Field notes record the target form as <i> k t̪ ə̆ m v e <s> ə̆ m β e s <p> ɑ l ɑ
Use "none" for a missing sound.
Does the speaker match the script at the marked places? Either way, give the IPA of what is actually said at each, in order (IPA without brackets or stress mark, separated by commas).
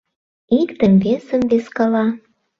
i, s, k